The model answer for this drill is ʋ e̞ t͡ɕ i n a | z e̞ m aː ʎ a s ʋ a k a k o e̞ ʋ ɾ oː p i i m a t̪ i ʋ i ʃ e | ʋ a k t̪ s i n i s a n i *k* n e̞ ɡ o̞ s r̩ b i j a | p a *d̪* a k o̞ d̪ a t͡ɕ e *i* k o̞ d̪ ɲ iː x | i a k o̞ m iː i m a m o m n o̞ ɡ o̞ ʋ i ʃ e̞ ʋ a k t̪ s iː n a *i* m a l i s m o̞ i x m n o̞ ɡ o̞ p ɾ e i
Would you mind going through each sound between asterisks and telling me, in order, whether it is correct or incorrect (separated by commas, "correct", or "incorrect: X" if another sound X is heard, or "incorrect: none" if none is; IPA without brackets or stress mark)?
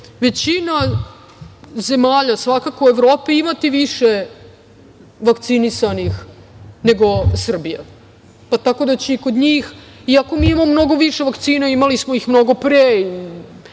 incorrect: x, incorrect: t̪, correct, correct